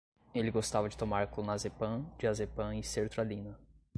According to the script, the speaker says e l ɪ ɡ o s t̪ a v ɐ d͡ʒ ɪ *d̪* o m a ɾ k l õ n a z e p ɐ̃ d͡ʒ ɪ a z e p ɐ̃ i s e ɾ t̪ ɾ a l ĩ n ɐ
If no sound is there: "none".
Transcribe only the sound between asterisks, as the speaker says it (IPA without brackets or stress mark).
t̪